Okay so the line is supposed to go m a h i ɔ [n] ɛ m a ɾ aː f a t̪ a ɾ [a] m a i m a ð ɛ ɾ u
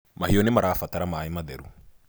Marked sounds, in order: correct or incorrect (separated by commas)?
correct, correct